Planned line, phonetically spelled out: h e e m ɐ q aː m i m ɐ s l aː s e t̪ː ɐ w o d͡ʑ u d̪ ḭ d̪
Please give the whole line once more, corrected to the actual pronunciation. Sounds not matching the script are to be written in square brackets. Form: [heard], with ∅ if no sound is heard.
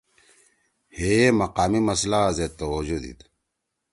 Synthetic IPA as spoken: h e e m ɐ q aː m i m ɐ s l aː [z] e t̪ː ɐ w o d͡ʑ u d̪ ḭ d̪